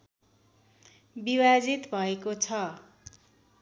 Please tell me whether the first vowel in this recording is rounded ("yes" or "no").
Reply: no